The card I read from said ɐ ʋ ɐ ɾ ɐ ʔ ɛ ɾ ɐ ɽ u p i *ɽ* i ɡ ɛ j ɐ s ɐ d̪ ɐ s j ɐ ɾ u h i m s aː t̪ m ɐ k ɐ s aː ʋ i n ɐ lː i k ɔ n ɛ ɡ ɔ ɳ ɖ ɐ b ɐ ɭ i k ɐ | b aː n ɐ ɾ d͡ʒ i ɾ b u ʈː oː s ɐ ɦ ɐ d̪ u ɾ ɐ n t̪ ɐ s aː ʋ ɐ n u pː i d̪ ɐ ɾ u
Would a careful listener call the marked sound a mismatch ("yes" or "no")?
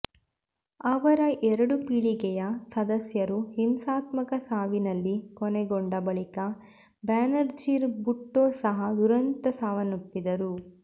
yes